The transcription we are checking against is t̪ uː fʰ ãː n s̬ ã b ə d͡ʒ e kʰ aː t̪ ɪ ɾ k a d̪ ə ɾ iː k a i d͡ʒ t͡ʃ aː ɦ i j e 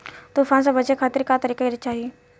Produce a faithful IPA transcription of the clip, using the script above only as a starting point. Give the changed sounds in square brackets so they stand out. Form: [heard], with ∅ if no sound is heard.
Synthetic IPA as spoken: t̪ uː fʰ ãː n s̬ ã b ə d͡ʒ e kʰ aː t̪ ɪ ɾ k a [t̪] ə ɾ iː k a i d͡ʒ t͡ʃ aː ɦ i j e

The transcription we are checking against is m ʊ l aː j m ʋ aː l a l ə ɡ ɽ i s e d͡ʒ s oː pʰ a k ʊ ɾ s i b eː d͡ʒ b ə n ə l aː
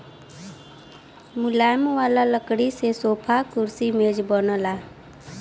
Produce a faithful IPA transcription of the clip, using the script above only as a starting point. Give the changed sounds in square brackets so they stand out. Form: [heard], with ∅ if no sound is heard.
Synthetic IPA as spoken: m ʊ l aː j m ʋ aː l a l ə [k] ɽ i s e [∅] s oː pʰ a k ʊ ɾ s i [m] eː d͡ʒ b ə n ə l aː

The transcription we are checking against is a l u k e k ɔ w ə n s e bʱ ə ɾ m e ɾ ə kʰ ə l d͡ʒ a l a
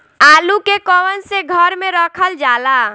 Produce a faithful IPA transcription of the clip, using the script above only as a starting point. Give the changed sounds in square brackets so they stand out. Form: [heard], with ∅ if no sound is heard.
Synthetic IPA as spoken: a l u k e k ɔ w ə n s e [ɡʱ] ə ɾ m e ɾ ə kʰ ə l d͡ʒ a l a

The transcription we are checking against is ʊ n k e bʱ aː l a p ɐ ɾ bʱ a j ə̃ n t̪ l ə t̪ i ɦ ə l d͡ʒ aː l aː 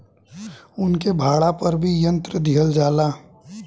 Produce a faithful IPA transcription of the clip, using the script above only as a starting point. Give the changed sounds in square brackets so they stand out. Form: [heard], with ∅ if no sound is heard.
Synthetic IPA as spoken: ʊ n k e bʱ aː [ɽ] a p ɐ ɾ bʱ [i] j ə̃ n t̪ [ɾ] ə [d̪] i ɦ ə l d͡ʒ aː l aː

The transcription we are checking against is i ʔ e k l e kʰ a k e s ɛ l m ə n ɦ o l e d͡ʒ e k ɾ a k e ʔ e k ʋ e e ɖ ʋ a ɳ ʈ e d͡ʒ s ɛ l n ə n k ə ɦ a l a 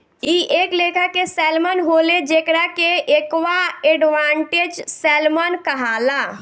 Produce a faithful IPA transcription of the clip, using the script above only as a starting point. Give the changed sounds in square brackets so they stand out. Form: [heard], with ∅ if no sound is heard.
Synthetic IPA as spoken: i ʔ e k l e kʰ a k e s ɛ l m ə n ɦ o l e d͡ʒ e k ɾ a k e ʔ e k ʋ [a] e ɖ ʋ a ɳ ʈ e d͡ʒ s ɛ l [m] ə n k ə ɦ a l a

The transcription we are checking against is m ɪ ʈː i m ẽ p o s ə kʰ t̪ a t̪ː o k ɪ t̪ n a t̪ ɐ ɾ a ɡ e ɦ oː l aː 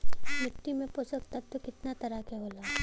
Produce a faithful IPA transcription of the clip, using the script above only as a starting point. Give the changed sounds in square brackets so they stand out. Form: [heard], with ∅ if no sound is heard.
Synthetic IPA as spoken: m ɪ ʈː i m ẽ p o s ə [k] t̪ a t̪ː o k ɪ t̪ n a t̪ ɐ ɾ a [k] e ɦ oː l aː

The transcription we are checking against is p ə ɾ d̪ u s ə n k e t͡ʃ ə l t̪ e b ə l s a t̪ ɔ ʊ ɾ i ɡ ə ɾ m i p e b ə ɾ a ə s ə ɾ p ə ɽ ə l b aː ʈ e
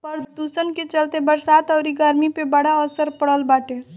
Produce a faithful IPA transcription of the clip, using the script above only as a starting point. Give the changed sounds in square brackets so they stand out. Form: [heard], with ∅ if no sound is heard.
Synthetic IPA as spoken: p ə ɾ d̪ u s ə n k e t͡ʃ ə l t̪ e b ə [ɾ] s a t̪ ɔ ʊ ɾ i ɡ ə ɾ m i p e b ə [ɽ] a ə s ə ɾ p ə ɽ ə l b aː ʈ e

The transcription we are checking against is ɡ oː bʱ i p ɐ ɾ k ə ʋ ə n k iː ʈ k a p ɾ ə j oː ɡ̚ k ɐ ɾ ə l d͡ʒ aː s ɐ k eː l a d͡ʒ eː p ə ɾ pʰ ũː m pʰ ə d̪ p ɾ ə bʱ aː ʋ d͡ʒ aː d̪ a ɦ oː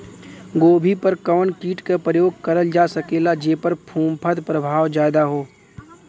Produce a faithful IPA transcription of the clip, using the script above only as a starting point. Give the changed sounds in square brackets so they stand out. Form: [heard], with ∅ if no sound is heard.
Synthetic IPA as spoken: ɡ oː bʱ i p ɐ ɾ k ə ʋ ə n k iː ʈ k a p ɾ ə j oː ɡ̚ k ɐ ɾ ə l d͡ʒ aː s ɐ k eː l a d͡ʒ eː p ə ɾ pʰ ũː m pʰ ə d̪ p ɾ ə bʱ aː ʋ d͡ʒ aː d̪ a ɦ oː

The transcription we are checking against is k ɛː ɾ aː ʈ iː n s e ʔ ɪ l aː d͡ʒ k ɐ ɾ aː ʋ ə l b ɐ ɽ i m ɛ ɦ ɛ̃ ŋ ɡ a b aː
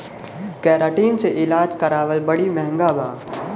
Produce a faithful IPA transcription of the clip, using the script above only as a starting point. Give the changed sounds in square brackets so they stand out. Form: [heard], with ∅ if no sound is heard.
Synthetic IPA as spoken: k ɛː ɾ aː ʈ iː n s e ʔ ɪ l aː d͡ʒ k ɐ ɾ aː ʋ ə l b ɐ ɽ i m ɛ ɦ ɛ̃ ŋ ɡ a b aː

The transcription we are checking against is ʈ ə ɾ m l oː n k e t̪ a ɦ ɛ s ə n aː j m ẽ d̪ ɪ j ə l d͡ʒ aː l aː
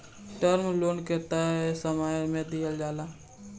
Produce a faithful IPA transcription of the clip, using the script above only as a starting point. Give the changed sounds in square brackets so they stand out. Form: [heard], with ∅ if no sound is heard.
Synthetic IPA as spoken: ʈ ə ɾ m l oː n k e t̪ a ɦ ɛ s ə [m] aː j m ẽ d̪ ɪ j ə l d͡ʒ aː l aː

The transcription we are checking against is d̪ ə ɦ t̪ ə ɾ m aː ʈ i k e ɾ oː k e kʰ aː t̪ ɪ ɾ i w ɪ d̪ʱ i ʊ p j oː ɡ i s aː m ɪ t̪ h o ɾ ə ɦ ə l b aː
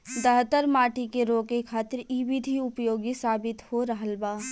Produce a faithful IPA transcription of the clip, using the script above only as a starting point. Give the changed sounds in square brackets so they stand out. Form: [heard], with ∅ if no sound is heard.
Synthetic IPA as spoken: d̪ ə ɦ t̪ ə ɾ m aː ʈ i k e ɾ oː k e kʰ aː t̪ ɪ ɾ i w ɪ d̪ʱ i ʊ p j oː ɡ i s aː [b] ɪ t̪ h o ɾ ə ɦ ə l b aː

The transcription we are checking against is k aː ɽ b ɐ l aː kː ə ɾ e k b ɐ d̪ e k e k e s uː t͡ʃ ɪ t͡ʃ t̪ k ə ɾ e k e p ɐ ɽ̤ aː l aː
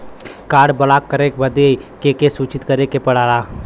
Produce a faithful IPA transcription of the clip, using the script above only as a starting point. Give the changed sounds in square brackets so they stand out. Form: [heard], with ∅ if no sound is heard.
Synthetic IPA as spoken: k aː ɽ b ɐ l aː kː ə ɾ e k b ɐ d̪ e k e k e s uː t͡ʃ ɪ [∅] t̪ k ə ɾ e k e p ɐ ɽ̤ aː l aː

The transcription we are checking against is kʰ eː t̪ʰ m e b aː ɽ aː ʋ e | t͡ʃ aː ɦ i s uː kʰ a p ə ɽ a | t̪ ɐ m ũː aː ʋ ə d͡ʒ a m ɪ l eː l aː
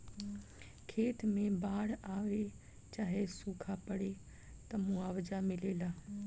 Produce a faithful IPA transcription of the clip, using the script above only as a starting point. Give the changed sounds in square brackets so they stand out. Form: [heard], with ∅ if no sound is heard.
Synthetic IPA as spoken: kʰ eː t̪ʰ m [ẽ] b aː ɽ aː ʋ e | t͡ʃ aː ɦ [e] s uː kʰ a p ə ɽ [e] | t̪ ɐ m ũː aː ʋ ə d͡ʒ a m ɪ l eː l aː

